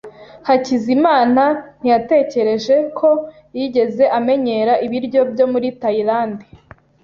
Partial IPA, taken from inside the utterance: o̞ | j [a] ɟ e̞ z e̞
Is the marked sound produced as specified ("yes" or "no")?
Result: no